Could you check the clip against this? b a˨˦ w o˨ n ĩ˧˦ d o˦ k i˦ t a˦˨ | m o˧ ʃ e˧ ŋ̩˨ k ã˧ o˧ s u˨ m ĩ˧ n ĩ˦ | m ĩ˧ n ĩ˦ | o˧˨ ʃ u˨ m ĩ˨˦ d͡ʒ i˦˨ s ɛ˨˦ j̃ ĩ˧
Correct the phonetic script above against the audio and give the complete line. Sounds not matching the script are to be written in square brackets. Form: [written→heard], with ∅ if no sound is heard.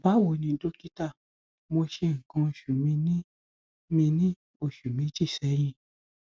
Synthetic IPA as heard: b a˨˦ w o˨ n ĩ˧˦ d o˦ k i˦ t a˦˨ | m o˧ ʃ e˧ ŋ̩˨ k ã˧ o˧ [s→ʃ] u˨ m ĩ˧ n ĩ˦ | m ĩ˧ n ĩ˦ | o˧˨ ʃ u˨ m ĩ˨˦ d͡ʒ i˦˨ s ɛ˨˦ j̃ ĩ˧